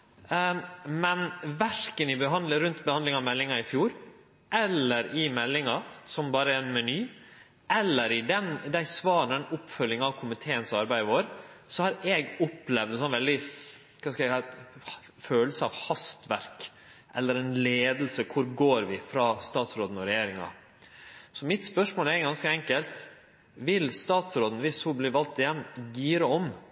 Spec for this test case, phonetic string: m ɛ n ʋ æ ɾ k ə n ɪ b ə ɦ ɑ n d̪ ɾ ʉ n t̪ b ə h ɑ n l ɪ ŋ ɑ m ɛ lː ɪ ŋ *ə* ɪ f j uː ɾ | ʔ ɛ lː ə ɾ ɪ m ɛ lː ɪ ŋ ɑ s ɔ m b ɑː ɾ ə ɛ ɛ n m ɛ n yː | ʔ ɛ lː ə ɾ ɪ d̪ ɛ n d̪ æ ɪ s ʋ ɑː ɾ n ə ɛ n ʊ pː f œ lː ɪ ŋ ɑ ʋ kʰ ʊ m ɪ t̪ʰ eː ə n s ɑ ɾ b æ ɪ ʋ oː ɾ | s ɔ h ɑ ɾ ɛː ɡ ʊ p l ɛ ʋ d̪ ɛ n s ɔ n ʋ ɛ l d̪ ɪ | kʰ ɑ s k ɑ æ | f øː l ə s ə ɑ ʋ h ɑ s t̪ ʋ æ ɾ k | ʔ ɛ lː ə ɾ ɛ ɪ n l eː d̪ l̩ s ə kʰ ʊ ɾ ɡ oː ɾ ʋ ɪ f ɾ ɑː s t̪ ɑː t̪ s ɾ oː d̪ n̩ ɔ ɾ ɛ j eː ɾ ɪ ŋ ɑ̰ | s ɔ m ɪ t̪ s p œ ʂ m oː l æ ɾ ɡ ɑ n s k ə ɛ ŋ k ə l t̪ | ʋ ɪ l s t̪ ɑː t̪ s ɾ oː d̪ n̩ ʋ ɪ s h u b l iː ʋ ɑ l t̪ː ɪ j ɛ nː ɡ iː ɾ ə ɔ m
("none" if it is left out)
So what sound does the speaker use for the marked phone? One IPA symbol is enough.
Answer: ɑ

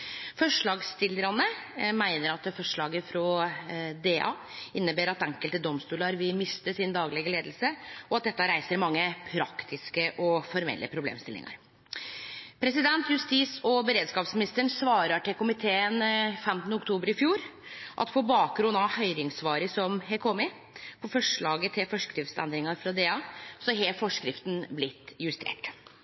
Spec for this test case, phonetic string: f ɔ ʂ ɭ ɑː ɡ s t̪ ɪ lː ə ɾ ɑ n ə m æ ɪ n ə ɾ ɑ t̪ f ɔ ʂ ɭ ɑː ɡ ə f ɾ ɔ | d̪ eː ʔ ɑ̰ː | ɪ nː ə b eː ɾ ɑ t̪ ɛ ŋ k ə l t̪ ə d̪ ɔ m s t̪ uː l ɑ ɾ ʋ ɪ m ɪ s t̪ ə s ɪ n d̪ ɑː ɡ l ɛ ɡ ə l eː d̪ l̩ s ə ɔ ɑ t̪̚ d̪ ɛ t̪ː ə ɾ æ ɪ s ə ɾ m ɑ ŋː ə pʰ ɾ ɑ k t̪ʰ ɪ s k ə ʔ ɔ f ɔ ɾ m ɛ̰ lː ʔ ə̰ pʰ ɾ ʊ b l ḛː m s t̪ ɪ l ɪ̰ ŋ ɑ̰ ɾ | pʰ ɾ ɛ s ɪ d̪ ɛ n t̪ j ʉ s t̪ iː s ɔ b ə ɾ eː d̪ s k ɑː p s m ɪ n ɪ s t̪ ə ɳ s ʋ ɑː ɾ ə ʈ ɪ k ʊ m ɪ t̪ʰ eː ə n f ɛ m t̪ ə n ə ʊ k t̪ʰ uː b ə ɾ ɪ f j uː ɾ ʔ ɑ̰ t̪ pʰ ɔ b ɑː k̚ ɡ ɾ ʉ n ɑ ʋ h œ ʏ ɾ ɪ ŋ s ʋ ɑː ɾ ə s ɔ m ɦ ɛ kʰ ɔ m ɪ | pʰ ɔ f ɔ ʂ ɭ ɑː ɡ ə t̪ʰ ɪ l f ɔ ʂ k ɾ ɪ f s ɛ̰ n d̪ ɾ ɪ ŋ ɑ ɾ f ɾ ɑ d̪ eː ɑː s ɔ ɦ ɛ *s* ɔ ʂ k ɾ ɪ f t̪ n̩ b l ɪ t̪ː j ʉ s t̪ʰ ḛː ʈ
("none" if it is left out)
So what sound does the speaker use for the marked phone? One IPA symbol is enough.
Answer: f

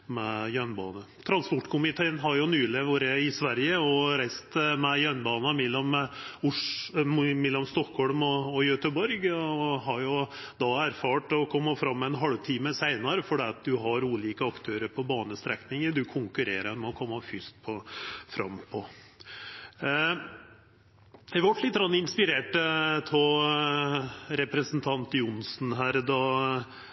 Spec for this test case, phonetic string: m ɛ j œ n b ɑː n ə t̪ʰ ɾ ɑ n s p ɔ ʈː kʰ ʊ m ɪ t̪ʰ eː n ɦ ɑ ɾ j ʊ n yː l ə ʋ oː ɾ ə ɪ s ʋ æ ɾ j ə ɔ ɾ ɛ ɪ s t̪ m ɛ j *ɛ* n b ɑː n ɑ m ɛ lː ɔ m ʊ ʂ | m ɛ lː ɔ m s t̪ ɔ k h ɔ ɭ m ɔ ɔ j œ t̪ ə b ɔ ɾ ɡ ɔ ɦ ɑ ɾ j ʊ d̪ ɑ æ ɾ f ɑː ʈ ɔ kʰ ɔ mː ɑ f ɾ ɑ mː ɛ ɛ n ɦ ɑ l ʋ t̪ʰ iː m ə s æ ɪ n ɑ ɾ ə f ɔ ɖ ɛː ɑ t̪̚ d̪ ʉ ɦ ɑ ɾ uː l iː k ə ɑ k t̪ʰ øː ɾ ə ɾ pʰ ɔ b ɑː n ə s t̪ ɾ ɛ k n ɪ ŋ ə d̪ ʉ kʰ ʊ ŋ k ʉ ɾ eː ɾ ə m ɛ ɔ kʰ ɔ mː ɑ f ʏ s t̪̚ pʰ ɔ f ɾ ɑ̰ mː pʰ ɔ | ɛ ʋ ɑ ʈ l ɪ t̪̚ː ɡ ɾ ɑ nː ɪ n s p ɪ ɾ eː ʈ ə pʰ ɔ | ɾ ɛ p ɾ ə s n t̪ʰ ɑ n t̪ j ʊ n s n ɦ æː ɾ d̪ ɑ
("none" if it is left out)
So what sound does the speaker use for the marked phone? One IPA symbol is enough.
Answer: œ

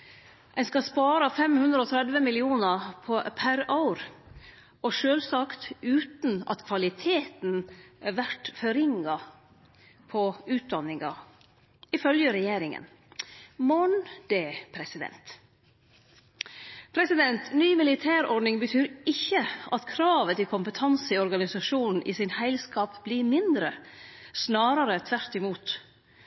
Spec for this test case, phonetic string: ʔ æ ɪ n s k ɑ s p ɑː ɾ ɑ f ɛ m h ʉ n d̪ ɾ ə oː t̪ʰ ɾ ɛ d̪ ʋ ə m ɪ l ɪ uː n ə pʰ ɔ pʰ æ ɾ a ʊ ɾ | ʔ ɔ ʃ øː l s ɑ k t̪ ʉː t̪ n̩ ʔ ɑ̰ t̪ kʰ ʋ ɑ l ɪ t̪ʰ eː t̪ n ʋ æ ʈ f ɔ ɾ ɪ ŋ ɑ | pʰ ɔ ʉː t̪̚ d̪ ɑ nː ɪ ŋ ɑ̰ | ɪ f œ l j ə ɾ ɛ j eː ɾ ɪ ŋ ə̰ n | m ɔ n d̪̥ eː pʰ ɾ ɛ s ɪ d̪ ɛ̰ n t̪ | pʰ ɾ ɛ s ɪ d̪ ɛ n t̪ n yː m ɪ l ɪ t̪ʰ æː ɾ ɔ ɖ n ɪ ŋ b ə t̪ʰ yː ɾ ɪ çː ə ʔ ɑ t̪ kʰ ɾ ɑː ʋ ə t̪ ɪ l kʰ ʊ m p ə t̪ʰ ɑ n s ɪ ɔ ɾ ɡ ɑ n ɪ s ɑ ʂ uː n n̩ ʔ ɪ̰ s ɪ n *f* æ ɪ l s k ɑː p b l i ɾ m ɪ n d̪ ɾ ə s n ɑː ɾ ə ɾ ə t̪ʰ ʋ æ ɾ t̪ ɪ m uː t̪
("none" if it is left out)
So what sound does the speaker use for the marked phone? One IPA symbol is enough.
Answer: h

